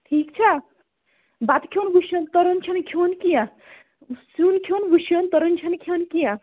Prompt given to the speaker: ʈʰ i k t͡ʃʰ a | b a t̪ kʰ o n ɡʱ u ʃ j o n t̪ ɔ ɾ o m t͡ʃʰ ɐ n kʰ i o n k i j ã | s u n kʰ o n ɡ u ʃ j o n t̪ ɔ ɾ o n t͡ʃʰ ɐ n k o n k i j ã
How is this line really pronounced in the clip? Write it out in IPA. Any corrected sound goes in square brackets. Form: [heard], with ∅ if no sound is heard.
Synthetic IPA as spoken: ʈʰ i k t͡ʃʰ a | b a t̪ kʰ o n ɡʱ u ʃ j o n t̪ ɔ ɾ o [n] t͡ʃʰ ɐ n kʰ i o n k i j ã | s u n kʰ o n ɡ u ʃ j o n t̪ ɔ ɾ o n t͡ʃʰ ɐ n [kʰ] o n k i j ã